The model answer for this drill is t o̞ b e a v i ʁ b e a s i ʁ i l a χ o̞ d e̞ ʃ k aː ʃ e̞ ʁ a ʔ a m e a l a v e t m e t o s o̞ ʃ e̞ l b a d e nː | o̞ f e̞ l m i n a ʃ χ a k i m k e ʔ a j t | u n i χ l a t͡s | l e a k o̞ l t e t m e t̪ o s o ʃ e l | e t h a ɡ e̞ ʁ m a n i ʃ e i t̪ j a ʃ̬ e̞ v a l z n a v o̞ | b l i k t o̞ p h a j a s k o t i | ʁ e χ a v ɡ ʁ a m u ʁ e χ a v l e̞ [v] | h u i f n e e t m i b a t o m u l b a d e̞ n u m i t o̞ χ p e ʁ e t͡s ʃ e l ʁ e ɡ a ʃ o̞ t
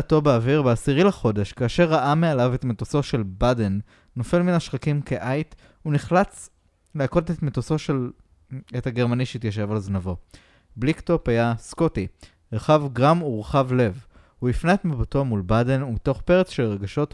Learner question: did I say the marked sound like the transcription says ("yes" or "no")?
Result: yes